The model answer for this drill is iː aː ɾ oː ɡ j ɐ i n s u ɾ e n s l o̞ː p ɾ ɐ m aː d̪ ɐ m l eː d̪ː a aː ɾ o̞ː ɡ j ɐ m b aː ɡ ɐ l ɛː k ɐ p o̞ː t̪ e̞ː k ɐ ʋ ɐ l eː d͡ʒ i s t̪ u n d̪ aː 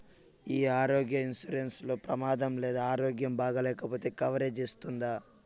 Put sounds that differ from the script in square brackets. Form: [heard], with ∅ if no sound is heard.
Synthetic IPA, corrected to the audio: iː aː ɾ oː ɡ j ɐ i n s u ɾ e n s l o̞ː p ɾ ɐ m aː d̪ ɐ m l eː [d̪] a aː ɾ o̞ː ɡ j ɐ m b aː ɡ ɐ l ɛː k ɐ p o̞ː t̪ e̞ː k ɐ ʋ ɐ [ɾ] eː d͡ʒ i s t̪ u n d̪ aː

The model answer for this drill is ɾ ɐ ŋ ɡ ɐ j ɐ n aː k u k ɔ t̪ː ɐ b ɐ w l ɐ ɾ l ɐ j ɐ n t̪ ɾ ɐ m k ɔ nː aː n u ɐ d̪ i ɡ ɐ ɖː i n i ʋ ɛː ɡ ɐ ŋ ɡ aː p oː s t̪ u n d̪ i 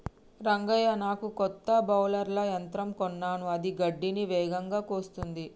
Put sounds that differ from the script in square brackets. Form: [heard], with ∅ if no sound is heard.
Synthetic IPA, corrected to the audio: ɾ ɐ ŋ ɡ ɐ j ɐ n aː k u k ɔ t̪ː ɐ b ɐ w l ɐ ɾ l ɐ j ɐ n t̪ ɾ ɐ m k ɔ nː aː n u ɐ d̪ i ɡ ɐ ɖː i n i ʋ ɛː ɡ ɐ ŋ ɡ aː [k] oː s t̪ u n d̪ i

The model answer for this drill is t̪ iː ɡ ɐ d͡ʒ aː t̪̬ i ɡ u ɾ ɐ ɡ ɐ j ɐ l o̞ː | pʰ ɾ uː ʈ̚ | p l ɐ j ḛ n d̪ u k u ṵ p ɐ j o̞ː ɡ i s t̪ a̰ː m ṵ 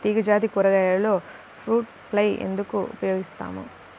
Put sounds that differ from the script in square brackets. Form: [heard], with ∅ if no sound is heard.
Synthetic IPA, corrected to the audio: t̪ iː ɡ ɐ d͡ʒ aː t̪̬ i [k] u ɾ ɐ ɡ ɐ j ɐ l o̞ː | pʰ ɾ uː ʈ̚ | p l ɐ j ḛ n d̪ u k u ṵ p ɐ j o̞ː ɡ i s t̪ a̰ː m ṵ

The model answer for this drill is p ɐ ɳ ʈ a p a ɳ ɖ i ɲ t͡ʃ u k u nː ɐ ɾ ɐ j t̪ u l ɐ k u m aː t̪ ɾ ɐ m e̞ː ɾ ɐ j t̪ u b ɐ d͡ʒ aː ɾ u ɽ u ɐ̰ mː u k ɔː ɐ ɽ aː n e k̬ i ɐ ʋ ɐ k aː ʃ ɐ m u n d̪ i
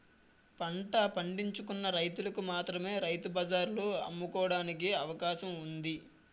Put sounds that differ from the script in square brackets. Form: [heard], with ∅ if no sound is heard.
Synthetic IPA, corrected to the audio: p ɐ ɳ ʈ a p [ɐ] ɳ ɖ i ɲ t͡ʃ u k u nː ɐ ɾ ɐ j t̪ u l ɐ k u m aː t̪ ɾ ɐ m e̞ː ɾ ɐ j t̪ u b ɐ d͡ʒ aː ɾ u [l] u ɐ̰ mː u k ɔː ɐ ɽ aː n [i] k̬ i ɐ ʋ ɐ k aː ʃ ɐ m u n d̪ i

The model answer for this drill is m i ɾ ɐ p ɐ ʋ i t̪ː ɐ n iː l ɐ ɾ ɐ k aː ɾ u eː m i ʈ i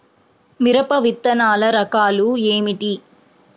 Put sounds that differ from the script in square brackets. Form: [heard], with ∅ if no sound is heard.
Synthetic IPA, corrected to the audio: m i ɾ ɐ p ɐ ʋ i t̪ː ɐ n [aː] l ɐ ɾ ɐ k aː [l] u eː m i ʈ i

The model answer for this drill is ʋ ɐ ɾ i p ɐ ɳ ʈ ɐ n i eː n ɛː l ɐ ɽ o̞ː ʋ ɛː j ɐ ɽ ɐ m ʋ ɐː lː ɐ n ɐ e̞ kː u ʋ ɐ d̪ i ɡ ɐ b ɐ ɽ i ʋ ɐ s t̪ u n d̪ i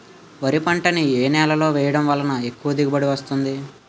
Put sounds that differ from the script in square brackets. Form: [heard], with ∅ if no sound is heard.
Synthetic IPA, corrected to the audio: ʋ ɐ ɾ i p ɐ ɳ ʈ ɐ n i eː n ɛː l ɐ [l] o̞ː ʋ ɛː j ɐ ɽ ɐ m ʋ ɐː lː ɐ n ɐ e̞ kː u ʋ ɐ d̪ i ɡ ɐ b ɐ ɽ i ʋ ɐ s t̪ u n d̪ i

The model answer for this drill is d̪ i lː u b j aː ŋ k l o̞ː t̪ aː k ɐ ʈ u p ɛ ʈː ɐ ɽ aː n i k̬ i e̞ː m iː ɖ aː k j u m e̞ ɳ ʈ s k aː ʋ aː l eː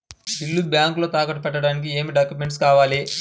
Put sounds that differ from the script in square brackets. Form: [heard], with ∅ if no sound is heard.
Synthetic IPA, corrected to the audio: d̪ i lː u b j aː ŋ k l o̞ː t̪ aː k ɐ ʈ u p ɛ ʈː ɐ ɽ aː n i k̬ i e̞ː m [i] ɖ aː k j u m e̞ ɳ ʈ s k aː ʋ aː l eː

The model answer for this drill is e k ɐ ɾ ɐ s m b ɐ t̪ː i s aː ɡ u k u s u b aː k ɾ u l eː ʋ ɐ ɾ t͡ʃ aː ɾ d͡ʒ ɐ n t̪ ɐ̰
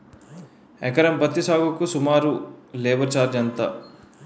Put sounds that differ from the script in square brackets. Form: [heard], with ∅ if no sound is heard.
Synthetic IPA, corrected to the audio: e k ɐ ɾ ɐ [∅] m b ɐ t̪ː i s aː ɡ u k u s u [m] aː [∅] ɾ u l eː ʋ ɐ ɾ t͡ʃ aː ɾ d͡ʒ ɐ n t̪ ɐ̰

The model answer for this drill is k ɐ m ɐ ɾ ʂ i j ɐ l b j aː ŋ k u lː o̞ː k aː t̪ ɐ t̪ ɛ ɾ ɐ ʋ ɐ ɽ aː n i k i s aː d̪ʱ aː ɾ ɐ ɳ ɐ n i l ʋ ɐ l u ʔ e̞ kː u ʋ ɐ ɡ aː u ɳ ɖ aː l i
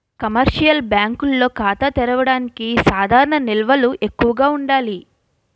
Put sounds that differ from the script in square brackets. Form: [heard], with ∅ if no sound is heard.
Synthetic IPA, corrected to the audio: k ɐ m ɐ ɾ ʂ i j ɐ l b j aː ŋ k u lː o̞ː k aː t̪ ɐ t̪ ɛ ɾ ɐ ʋ ɐ ɽ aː n i k i s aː d̪ʱ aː ɾ ɐ ɳ ɐ n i l ʋ ɐ l u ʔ e̞ kː u ʋ ɐ ɡ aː u ɳ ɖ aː l i

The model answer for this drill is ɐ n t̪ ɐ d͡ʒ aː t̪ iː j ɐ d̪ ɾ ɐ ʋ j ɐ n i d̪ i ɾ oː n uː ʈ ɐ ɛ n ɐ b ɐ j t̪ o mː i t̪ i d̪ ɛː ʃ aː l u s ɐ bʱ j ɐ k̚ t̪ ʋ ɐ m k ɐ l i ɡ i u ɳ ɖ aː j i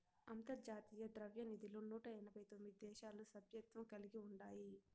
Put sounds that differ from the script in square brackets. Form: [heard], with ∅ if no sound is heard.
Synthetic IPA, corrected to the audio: ɐ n t̪ ɐ d͡ʒ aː t̪ iː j ɐ d̪ ɾ ɐ ʋ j ɐ n i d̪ i [l] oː n uː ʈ ɐ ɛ n ɐ b ɐ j t̪ o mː i [d̪] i d̪ ɛː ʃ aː l u s ɐ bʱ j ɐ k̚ t̪ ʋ ɐ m k ɐ l i ɡ i u ɳ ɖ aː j i

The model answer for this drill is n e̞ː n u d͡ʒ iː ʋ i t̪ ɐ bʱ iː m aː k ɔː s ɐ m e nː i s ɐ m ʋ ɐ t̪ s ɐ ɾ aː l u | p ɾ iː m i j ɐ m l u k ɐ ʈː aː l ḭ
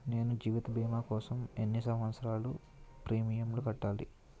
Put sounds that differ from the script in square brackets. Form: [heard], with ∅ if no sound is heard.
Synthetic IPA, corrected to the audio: n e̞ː n u d͡ʒ iː ʋ i t̪ ɐ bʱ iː m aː k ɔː s ɐ m e nː i s ɐ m ʋ ɐ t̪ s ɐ ɾ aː l u | p ɾ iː m i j ɐ m l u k ɐ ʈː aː l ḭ

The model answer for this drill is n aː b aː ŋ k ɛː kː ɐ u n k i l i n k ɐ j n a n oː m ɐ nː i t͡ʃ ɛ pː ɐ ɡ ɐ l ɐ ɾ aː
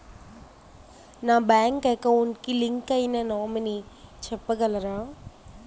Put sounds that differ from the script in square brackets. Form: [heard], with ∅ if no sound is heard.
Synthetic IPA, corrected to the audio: n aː b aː ŋ k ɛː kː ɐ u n k i l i [ŋ] k ɐ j n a n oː m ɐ [n] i t͡ʃ ɛ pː ɐ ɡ ɐ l ɐ ɾ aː

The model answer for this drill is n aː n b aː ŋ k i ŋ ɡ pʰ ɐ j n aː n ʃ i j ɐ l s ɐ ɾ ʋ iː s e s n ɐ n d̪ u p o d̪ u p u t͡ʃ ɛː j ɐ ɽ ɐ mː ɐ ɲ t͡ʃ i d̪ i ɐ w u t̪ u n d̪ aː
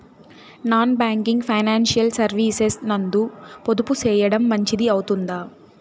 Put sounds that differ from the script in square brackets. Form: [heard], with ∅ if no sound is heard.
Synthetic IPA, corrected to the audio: n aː n b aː ŋ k i ŋ ɡ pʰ ɐ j n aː n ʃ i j ɐ l s ɐ ɾ ʋ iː s e s n ɐ n d̪ u p o d̪ u p u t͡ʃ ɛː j ɐ ɽ ɐ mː ɐ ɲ t͡ʃ i d̪ i ɐ w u t̪ u n d̪ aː

